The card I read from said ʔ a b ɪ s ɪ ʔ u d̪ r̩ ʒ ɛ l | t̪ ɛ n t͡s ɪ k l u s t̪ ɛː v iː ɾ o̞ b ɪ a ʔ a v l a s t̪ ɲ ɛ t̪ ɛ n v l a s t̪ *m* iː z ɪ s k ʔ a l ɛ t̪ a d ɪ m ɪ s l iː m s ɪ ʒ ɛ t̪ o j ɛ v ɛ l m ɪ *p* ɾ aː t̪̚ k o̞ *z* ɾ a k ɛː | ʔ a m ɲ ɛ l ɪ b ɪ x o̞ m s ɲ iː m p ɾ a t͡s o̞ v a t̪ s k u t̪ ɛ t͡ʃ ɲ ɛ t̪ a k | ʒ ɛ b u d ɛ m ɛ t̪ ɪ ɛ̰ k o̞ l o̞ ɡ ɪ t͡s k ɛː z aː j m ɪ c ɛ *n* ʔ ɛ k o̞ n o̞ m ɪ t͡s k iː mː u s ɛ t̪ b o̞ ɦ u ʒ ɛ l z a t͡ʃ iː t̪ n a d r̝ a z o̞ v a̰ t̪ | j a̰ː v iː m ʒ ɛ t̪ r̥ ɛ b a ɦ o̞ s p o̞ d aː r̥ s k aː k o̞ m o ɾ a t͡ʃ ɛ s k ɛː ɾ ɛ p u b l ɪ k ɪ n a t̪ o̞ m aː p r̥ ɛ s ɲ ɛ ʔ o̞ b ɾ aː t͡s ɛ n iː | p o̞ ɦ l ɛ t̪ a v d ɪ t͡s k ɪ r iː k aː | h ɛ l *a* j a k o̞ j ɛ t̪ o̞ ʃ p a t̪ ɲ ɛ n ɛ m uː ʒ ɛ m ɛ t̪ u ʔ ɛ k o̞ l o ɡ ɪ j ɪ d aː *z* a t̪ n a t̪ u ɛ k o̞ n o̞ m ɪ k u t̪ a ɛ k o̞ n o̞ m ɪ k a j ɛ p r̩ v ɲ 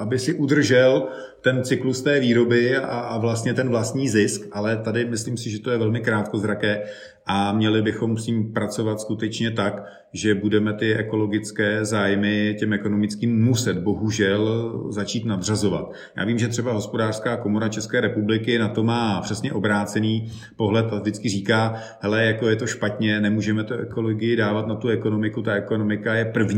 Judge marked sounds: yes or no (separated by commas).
no, no, yes, no, no, no